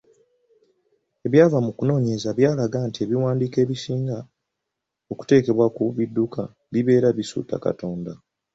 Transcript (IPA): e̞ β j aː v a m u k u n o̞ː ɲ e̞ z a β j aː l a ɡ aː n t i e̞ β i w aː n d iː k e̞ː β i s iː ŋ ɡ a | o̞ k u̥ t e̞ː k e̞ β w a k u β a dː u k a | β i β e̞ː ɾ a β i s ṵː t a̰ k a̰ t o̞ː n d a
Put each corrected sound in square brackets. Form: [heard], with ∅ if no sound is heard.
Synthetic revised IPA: e̞ β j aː v a m u k u n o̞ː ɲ e̞ z a β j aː l a ɡ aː n t i e̞ β i w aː n d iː k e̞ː β i s iː ŋ ɡ a | o̞ k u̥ t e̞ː k e̞ β w a k u β [i] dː u k a | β i β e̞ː ɾ a β i s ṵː t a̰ k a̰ t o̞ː n d a